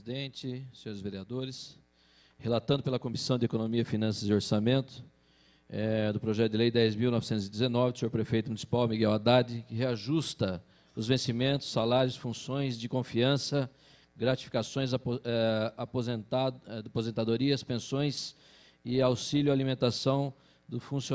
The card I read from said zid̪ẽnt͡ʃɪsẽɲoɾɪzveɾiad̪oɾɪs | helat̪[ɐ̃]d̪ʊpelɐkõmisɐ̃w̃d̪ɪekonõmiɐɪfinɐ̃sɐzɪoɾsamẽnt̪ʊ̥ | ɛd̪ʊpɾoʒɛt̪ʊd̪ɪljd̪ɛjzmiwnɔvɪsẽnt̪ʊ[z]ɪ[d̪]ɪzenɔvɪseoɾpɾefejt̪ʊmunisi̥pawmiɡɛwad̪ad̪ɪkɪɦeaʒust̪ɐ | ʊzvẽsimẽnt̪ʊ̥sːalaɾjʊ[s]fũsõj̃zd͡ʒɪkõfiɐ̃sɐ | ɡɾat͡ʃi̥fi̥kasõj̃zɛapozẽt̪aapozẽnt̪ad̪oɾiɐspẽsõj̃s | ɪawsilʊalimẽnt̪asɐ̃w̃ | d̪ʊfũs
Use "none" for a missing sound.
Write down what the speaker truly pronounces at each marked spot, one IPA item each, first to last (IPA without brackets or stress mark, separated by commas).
ɐ̃, z, d̪, s